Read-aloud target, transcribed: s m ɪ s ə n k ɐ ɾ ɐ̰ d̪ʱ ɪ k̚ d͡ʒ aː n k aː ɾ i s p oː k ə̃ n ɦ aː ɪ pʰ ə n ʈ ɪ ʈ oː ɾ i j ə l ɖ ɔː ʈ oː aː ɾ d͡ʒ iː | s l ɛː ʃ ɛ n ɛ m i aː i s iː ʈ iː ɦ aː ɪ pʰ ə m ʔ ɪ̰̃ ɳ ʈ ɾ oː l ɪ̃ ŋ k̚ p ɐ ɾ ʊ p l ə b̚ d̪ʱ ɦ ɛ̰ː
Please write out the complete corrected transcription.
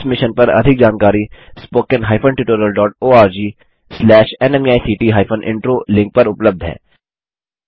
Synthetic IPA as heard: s m ɪ ʃ ə n p ɐ ɾ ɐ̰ d̪ʱ ɪ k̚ d͡ʒ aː n k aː ɾ i s p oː k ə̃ n ɦ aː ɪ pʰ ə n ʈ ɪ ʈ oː ɾ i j ə l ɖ ɔː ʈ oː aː ɾ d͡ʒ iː | s l ɛː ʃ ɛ n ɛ m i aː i s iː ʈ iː ɦ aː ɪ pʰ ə n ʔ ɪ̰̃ ɳ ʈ ɾ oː l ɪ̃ ŋ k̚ p ɐ ɾ ʊ p l ə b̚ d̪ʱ ɦ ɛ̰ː